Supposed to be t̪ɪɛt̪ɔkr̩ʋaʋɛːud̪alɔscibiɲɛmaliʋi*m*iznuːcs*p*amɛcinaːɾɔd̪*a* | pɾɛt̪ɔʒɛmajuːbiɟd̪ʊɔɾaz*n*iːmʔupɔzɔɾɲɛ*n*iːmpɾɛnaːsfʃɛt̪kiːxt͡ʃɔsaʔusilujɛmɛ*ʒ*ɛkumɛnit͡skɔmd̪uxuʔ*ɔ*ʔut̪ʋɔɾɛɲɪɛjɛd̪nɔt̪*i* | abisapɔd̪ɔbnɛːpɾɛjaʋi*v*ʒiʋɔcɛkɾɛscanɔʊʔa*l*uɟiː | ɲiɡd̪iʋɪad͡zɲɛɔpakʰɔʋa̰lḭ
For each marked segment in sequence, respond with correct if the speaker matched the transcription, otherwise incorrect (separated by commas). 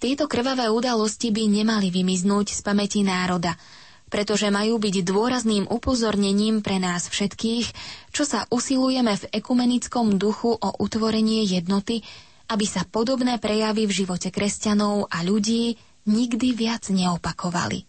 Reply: correct, correct, correct, correct, incorrect, incorrect, correct, correct, correct, incorrect